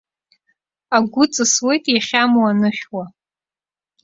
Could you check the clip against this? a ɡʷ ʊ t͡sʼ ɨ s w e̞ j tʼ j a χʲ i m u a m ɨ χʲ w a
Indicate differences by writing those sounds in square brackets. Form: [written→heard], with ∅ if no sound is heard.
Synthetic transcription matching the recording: a ɡʷ ʊ t͡sʼ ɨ s w e̞ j tʼ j a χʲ [i→a] m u a [m→n] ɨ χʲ w a